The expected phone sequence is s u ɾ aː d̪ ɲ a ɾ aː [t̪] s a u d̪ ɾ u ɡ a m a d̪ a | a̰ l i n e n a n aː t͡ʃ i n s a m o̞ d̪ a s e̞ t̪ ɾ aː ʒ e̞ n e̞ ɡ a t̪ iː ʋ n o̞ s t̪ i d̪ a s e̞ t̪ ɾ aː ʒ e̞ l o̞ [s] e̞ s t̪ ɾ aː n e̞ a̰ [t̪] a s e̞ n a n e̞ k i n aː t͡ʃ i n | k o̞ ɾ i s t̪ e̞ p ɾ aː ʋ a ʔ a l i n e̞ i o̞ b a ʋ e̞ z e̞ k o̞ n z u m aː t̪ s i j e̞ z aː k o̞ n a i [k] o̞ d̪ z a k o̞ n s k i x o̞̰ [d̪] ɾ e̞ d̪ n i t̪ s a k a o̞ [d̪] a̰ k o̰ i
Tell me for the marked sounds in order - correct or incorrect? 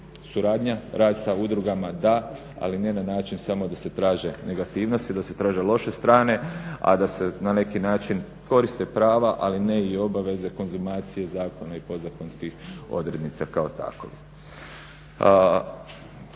incorrect: d̪, incorrect: ʃ, incorrect: d̪, incorrect: p, correct, incorrect: t̪

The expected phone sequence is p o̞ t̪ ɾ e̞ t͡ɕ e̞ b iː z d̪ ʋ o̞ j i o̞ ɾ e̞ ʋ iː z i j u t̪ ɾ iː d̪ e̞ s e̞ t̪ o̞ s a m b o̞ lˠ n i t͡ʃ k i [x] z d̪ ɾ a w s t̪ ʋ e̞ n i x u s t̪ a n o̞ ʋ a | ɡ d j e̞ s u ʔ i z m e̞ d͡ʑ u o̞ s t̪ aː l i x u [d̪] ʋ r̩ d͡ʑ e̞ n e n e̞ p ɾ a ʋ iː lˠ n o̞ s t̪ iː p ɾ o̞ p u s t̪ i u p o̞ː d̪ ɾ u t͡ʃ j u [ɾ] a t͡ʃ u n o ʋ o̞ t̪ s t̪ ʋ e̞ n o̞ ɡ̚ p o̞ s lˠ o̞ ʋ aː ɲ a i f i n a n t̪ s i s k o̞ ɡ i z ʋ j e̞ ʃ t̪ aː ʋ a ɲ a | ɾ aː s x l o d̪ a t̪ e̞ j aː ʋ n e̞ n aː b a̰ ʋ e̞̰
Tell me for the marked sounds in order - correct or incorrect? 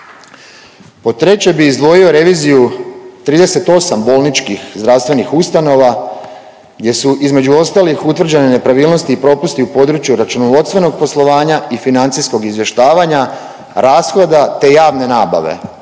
correct, incorrect: t̪, correct

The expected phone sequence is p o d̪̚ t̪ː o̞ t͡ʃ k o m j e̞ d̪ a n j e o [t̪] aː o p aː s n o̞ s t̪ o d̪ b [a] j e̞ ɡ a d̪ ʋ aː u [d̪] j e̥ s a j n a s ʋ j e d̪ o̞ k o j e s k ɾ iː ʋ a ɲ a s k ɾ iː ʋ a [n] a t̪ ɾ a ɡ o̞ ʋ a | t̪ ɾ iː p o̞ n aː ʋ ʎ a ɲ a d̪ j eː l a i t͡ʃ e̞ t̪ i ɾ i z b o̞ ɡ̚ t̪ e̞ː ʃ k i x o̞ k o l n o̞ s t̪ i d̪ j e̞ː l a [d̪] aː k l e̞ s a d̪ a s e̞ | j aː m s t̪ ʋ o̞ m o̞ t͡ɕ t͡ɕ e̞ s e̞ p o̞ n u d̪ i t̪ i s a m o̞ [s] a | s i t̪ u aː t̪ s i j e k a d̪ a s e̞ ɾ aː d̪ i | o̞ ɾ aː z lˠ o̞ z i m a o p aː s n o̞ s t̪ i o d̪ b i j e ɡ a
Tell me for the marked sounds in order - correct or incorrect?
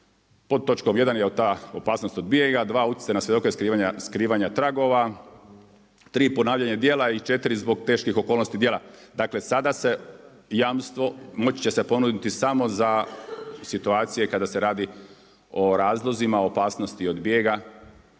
correct, incorrect: i, incorrect: t̪, incorrect: ɲ, correct, incorrect: z

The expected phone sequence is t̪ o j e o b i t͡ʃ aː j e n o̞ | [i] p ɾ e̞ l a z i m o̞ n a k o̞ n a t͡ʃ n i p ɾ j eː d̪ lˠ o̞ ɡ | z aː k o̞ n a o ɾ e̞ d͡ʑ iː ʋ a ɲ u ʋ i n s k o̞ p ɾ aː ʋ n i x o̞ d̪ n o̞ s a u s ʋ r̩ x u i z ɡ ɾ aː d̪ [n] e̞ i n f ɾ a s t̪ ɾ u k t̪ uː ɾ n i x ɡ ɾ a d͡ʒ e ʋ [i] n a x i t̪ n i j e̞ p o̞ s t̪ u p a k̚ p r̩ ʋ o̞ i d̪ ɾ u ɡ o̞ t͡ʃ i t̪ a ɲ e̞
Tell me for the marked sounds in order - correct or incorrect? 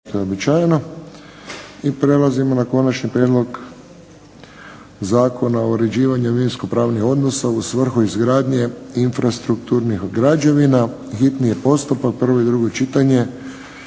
correct, incorrect: ɲ, correct

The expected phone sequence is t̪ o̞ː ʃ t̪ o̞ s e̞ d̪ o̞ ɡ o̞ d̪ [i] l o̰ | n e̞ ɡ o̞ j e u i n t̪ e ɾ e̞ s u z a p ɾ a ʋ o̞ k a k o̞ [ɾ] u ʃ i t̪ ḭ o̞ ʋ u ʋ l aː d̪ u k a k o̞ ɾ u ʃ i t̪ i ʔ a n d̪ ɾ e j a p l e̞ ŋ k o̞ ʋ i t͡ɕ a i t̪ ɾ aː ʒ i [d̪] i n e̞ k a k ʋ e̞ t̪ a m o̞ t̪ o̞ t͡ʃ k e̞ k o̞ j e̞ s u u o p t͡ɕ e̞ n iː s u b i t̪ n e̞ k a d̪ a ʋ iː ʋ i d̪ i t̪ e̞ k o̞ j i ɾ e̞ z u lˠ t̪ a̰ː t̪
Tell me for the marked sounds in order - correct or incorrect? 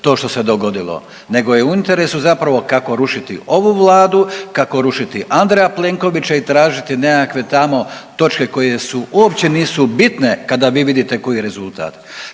correct, correct, incorrect: t̪

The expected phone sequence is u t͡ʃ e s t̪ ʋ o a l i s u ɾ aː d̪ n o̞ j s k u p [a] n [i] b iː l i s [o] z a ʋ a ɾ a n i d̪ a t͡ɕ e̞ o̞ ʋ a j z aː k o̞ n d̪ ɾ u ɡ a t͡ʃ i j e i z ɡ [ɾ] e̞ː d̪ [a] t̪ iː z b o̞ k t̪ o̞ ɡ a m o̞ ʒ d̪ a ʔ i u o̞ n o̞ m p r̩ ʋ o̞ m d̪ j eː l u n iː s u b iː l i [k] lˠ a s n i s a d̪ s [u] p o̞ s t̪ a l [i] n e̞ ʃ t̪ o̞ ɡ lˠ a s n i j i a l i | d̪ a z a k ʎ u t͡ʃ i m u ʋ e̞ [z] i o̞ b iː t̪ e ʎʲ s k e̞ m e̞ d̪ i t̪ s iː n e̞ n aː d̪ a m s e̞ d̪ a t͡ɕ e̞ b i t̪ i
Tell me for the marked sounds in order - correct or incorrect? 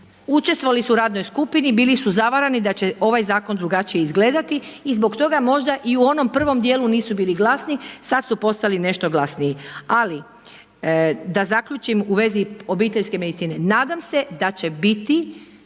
incorrect: i, correct, incorrect: u, incorrect: l, correct, incorrect: ɡ, correct, correct, correct

